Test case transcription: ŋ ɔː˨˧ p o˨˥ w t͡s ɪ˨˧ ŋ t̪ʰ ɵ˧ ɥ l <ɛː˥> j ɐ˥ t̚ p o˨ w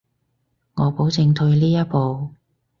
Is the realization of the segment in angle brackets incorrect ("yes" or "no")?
yes